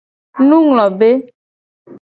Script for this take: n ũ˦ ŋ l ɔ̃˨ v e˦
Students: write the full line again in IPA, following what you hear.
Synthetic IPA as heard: n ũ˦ ŋ l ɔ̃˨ b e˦